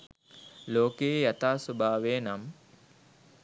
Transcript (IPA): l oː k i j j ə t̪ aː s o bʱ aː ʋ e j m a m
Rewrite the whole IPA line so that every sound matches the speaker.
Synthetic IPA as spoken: l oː k e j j a t̪ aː s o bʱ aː ʋ e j n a m